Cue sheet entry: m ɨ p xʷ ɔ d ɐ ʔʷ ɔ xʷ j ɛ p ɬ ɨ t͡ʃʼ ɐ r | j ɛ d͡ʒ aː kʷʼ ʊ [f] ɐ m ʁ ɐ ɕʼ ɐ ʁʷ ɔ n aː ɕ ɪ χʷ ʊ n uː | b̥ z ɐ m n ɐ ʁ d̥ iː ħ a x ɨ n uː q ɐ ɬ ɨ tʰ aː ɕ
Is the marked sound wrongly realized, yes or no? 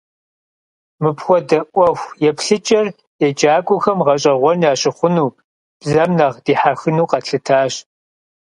yes